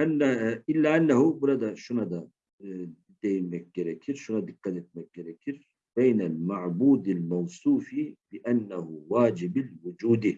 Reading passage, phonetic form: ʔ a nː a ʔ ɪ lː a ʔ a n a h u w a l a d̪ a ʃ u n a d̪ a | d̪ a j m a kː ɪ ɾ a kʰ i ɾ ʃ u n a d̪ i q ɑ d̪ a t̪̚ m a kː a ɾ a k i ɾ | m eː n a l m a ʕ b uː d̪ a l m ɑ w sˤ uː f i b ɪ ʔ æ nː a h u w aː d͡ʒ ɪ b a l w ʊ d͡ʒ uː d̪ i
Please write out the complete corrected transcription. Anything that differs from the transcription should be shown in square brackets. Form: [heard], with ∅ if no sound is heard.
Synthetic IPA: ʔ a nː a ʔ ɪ lː a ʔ a [nː] a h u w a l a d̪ a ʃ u n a d̪ a | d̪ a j m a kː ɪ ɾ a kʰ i ɾ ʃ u n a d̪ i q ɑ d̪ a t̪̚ m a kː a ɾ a k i ɾ | [b] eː n a l m a ʕ b uː d̪ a l m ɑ w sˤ uː f i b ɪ ʔ [a] nː a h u w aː d͡ʒ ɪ b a l w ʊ d͡ʒ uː d̪ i